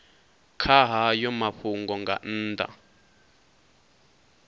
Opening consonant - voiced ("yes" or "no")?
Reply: no